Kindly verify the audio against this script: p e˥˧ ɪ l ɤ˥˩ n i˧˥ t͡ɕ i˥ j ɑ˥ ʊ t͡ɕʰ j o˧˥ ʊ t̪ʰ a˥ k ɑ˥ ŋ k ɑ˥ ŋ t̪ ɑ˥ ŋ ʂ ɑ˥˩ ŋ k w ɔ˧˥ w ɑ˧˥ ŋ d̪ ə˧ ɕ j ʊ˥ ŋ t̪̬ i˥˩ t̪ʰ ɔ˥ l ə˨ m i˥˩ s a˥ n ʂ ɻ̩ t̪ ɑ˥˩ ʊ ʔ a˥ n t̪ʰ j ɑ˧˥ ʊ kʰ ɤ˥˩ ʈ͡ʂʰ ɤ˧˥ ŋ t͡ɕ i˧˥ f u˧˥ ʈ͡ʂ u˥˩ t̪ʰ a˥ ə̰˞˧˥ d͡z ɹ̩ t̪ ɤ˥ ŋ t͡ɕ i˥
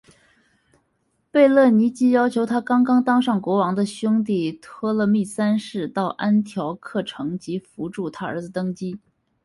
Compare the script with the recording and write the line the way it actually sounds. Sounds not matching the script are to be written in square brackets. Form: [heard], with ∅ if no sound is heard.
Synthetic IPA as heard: p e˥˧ ɪ l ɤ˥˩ n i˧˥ t͡ɕ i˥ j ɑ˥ ʊ t͡ɕʰ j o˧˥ ʊ t̪ʰ a˥ k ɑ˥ ŋ k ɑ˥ ŋ t̪ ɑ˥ ŋ ʂ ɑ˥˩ ŋ k w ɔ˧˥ w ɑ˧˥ ŋ d̪ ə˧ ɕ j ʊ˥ ŋ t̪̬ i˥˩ t̪ʰ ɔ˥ l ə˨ m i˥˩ s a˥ n ʂ ɻ̩ t̪ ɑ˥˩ ʊ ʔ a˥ n t̪ʰ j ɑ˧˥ ʊ kʰ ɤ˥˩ ʈ͡ʂʰ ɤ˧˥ ŋ t͡ɕ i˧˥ f u˧˥ ʈ͡ʂ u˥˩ t̪ʰ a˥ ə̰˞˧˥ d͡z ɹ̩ t̪ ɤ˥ ŋ t͡ɕ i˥